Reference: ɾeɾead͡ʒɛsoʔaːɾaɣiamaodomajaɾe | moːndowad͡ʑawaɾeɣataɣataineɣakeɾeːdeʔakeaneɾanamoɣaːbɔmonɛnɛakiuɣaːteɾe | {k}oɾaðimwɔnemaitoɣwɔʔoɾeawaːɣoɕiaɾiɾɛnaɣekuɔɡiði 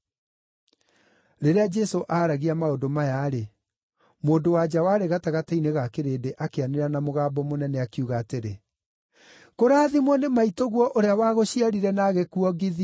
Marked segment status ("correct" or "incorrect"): correct